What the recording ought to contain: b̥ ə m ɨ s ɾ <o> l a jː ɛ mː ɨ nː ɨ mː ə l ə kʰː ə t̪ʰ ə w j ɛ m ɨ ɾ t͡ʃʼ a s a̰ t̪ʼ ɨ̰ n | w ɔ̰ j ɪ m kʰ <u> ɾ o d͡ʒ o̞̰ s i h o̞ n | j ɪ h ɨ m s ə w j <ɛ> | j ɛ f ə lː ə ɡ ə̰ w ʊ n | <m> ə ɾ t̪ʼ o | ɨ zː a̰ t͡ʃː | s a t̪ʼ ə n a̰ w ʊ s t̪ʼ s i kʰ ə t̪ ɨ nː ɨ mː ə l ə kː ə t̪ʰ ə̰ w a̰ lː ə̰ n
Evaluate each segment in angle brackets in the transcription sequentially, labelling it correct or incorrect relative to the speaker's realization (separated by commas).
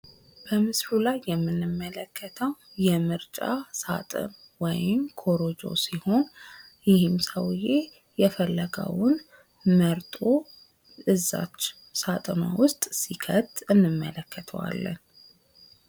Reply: incorrect, incorrect, incorrect, correct